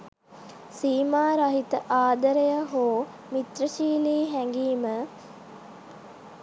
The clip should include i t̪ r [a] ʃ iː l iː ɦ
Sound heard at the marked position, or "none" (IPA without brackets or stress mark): ə